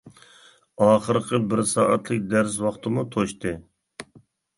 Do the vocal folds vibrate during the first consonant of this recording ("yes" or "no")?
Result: no